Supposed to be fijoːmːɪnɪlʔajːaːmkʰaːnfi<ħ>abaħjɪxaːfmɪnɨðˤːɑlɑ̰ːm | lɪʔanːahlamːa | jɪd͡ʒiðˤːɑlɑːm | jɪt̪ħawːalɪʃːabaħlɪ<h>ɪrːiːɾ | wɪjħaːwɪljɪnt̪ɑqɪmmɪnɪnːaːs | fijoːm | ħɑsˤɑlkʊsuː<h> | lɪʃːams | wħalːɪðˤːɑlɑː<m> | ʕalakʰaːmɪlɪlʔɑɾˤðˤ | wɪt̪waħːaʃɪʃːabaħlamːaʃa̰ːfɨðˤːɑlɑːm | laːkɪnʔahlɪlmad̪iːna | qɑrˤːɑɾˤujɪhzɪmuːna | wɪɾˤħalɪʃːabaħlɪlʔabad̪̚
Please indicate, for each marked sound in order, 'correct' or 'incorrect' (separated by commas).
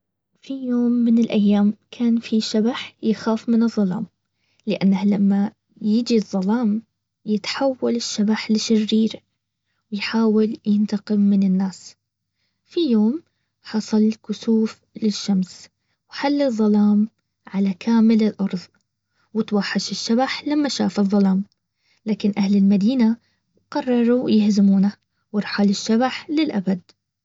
incorrect, incorrect, incorrect, correct